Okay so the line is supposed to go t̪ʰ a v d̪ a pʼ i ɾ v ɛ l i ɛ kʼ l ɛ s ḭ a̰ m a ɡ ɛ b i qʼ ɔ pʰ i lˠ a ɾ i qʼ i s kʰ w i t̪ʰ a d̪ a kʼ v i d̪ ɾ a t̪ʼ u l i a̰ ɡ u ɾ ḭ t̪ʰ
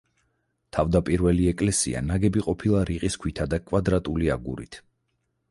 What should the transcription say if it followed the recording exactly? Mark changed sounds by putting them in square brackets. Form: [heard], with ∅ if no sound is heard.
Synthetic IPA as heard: t̪ʰ a v d̪ a pʼ i ɾ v ɛ l i ɛ kʼ l ɛ s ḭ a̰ [n] a ɡ ɛ b i qʼ ɔ pʰ i lˠ a ɾ i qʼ i s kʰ w i t̪ʰ a d̪ a kʼ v [a] d̪ ɾ a t̪ʼ u l i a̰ ɡ u ɾ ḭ t̪ʰ